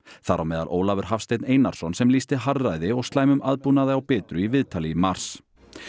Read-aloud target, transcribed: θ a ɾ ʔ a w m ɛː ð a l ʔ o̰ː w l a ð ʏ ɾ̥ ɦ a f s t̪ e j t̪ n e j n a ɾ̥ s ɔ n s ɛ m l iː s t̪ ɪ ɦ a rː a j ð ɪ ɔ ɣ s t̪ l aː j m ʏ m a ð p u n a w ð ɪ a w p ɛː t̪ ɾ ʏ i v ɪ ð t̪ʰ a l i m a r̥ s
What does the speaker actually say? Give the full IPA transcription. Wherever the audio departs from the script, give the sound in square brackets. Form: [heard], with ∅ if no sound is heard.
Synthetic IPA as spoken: θ a ɾ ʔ a w m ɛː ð a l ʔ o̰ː w l a [v] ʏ ɾ̥ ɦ a f s t̪ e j t̪ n e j n a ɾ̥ s ɔ n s ɛ m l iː s t̪ ɪ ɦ a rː a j ð ɪ ɔ ɣ s t̪ l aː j m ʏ m a ð p u n a [∅] ð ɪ a w p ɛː t̪ ɾ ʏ i v ɪ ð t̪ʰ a l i m a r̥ s